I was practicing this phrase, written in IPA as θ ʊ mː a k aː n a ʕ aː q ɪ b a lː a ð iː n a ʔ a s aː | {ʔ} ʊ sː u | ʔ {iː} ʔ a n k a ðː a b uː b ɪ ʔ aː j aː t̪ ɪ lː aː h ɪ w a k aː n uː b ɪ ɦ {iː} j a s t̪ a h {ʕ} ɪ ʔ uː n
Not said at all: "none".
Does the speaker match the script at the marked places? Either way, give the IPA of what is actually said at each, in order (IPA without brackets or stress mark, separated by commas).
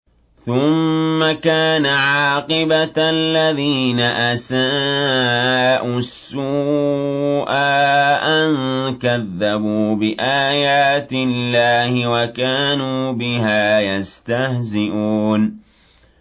ʔ, aː, aː, z